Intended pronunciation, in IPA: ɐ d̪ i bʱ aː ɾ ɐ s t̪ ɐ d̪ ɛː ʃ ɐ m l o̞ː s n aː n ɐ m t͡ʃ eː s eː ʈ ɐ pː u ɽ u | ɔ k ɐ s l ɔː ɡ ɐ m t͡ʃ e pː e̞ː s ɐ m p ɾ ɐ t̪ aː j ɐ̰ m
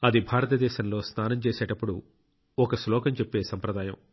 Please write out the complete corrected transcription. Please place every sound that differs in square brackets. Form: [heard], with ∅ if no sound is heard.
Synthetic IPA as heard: ɐ d̪ i bʱ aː ɾ ɐ [∅] t̪ ɐ d̪ ɛː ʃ ɐ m l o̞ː s n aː n ɐ m t͡ʃ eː s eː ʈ ɐ pː u ɽ u | ɔ k ɐ s l ɔː [k] ɐ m t͡ʃ e pː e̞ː s ɐ m p ɾ ɐ [d̪] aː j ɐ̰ m